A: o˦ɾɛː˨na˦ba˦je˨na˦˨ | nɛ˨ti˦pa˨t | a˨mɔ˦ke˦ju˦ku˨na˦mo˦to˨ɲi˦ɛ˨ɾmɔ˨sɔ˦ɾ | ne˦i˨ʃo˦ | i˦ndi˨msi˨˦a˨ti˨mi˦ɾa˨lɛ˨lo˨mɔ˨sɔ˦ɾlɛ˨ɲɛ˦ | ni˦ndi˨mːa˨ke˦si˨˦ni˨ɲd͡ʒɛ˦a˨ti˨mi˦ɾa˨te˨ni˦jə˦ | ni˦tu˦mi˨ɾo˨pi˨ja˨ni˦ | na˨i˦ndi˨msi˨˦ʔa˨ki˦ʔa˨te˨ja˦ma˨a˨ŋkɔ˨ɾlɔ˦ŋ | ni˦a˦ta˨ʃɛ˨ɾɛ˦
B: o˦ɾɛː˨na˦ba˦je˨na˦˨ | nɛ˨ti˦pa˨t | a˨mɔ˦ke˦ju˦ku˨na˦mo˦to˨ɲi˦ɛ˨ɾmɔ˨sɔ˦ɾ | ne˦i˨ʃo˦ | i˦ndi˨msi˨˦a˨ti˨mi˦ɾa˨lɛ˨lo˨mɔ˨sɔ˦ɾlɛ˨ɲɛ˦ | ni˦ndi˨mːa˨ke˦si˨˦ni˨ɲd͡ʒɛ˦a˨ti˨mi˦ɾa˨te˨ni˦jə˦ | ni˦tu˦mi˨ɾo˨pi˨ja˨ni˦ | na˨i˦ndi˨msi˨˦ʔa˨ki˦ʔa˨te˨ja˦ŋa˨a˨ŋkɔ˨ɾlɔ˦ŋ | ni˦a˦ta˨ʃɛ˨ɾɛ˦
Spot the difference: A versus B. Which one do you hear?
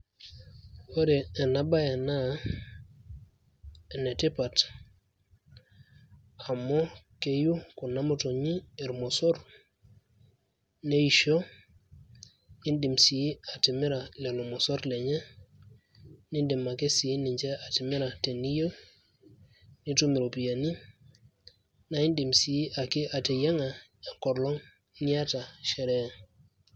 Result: B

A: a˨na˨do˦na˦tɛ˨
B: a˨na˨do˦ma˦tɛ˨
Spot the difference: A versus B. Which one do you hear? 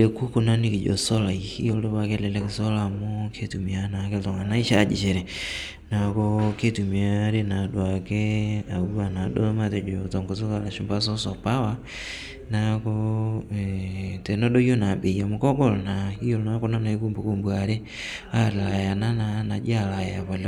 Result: B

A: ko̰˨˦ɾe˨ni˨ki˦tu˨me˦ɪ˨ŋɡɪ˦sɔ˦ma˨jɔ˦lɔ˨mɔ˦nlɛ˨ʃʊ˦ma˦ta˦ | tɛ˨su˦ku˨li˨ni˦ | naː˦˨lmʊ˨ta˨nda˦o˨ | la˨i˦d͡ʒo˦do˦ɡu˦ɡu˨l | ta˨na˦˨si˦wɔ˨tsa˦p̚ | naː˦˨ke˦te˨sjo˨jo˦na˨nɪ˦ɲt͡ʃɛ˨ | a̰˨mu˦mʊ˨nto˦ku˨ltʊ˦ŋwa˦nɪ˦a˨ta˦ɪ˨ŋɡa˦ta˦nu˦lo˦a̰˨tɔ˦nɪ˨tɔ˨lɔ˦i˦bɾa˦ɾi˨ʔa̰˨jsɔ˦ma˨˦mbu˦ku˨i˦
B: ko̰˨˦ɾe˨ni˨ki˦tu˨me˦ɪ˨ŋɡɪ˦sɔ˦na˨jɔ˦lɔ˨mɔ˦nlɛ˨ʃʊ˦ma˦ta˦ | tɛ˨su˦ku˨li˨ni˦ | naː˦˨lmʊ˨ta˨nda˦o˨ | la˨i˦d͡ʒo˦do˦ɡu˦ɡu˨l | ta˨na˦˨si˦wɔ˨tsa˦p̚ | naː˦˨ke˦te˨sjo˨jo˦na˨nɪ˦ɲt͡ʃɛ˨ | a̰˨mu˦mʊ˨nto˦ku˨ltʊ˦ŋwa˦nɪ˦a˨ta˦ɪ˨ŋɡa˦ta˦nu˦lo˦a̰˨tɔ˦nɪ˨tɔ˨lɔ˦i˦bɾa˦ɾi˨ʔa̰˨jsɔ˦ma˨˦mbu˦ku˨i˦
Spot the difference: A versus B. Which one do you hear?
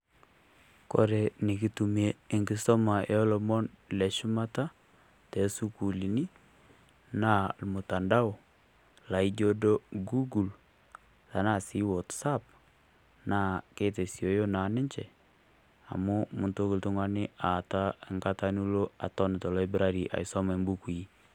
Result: A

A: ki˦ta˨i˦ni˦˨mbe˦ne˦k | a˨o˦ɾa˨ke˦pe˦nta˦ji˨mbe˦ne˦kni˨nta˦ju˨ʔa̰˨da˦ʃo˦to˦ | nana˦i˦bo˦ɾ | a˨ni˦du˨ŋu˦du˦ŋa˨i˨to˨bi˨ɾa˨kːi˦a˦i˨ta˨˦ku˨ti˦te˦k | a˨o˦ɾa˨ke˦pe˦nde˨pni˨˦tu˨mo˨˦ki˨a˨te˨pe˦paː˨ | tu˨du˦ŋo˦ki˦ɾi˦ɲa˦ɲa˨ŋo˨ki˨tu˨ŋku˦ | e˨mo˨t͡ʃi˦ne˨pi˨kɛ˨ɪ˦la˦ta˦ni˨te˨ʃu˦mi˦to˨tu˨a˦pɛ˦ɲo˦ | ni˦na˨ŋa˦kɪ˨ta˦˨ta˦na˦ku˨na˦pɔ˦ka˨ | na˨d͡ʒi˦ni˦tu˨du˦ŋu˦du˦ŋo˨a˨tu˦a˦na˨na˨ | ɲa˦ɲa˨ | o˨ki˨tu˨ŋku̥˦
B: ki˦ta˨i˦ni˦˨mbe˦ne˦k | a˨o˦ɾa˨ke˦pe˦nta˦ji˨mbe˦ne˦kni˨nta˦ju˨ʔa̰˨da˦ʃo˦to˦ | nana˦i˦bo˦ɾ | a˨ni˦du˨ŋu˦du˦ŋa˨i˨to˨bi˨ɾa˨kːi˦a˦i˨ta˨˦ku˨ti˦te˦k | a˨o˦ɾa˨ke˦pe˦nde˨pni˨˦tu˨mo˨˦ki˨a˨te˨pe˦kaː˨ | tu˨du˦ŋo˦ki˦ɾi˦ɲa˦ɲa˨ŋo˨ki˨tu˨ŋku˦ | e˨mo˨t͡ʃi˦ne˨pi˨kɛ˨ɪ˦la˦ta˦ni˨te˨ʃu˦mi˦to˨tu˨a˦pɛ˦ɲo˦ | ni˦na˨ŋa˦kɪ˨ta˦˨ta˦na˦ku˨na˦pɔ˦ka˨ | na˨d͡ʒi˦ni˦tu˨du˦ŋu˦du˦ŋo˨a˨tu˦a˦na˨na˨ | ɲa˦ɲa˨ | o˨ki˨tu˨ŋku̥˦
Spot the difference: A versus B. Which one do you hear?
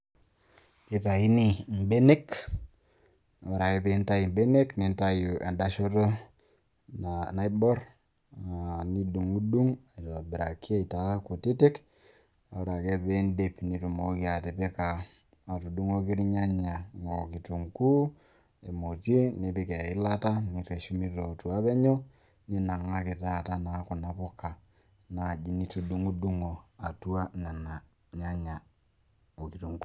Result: B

